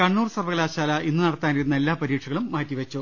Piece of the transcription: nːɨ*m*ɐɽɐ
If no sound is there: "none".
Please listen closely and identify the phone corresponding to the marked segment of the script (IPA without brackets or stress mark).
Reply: n